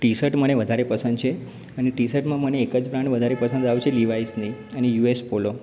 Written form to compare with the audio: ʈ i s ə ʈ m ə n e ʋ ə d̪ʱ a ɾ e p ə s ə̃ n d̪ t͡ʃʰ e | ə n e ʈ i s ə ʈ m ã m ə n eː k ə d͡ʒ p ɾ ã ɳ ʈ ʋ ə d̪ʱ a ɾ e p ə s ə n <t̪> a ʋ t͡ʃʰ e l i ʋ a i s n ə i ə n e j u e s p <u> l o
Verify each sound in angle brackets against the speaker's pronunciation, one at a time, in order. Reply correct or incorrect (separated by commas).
incorrect, incorrect